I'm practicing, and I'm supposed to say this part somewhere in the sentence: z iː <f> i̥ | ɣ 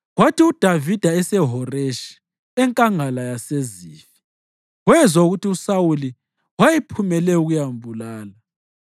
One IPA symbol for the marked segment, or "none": f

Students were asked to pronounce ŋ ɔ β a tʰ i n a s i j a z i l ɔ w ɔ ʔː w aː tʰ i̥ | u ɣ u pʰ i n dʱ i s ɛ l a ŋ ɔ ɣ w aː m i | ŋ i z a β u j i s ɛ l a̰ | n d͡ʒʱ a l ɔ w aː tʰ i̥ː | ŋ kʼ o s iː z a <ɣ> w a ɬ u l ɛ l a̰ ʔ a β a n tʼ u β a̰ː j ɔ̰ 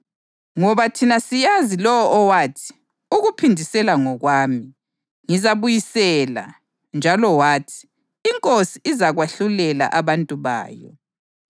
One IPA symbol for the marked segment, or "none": ɣ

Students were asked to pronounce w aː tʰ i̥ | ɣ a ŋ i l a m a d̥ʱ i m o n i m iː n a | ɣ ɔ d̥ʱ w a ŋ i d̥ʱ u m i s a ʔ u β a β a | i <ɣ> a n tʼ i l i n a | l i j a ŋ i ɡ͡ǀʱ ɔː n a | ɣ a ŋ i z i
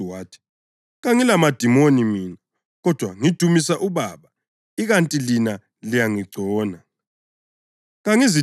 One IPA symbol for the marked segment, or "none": ɣ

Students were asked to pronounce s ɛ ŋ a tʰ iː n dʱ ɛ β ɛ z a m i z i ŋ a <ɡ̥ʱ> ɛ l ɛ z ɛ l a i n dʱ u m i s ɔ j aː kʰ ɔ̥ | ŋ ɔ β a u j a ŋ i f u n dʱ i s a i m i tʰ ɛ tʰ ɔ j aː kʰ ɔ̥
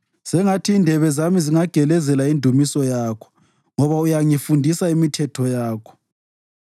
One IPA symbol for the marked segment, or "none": ɡ̥ʱ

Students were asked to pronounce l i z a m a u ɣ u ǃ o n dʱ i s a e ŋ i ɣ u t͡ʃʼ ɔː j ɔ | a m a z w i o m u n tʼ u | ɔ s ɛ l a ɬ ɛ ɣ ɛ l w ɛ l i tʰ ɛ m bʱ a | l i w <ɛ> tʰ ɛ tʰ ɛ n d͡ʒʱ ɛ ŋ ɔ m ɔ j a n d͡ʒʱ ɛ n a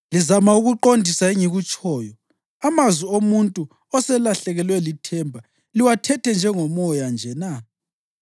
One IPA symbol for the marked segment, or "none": a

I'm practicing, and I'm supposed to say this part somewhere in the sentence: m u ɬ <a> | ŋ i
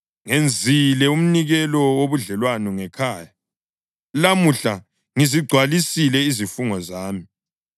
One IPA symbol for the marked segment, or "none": a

